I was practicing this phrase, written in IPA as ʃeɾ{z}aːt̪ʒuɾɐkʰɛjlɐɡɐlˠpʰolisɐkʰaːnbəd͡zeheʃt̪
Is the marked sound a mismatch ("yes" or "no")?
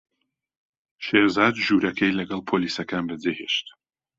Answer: no